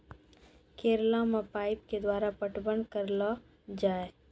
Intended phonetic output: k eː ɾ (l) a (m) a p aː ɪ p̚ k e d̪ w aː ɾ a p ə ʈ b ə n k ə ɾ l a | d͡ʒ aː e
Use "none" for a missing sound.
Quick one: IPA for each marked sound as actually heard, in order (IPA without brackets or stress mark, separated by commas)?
l, m